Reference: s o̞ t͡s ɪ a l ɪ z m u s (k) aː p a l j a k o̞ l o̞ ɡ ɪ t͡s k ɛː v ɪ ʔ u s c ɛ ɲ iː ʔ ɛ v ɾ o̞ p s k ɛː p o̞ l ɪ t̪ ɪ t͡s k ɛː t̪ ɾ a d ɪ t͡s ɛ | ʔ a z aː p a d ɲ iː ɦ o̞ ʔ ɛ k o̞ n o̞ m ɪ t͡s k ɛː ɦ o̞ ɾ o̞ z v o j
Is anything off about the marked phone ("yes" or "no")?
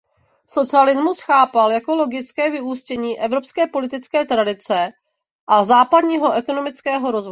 yes